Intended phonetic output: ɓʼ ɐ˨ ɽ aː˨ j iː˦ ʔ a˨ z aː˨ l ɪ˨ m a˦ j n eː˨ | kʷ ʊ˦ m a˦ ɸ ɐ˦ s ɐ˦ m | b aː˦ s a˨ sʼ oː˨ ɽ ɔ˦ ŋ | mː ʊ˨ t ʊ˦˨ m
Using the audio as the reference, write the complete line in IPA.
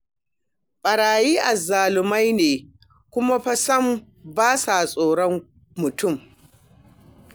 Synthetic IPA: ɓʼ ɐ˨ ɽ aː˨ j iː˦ ʔ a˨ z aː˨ l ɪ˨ m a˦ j n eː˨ | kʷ ʊ˦ m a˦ ɸ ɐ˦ s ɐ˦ m | b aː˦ s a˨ sʼ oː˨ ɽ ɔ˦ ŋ | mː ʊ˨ t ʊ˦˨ m